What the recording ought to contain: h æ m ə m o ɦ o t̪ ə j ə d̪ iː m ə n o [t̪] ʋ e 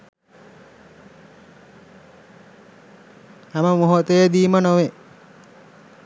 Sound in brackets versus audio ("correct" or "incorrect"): incorrect